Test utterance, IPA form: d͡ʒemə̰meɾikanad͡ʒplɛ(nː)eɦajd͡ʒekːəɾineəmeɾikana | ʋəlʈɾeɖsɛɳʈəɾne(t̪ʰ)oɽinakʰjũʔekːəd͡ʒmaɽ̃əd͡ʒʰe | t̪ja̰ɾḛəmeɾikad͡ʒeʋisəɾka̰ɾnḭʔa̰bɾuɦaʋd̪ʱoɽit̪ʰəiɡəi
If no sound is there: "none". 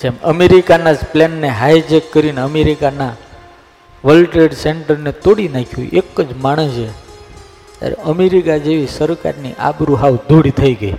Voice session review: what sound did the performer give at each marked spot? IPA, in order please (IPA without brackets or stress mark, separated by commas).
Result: nː, t̪